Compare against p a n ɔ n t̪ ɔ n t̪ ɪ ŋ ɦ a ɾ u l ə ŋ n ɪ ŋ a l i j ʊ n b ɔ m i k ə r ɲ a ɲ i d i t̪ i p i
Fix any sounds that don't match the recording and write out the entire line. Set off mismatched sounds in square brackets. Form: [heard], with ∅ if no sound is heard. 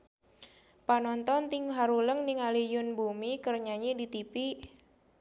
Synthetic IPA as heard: p a n ɔ n t̪ ɔ n t̪ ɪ ŋ ɦ a ɾ u l ə ŋ n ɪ ŋ a l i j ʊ n b [u] m i k ə r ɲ a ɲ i d i t̪ i p i